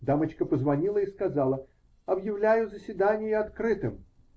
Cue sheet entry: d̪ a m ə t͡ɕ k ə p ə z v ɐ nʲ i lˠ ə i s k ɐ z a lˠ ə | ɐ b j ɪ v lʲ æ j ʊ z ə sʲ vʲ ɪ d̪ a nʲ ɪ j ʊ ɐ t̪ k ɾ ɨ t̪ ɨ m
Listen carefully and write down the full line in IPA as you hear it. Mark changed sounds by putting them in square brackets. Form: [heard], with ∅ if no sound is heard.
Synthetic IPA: d̪ a m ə t͡ɕ k ə p ə z v ɐ nʲ i lˠ ə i s k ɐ z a lˠ ə | ɐ b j ɪ v lʲ æ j ʊ z ə sʲ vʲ ɪ d̪ a nʲ ɪ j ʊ ɐ t̪ k ɾ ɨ t̪ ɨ m